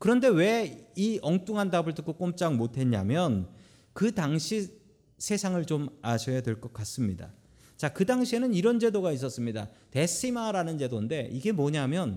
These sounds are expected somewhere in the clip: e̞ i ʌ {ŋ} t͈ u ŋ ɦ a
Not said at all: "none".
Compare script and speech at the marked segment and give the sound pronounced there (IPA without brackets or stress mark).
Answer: ŋ